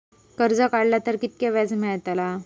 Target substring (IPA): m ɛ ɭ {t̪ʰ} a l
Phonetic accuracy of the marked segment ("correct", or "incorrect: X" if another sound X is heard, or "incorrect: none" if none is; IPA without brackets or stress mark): incorrect: t̪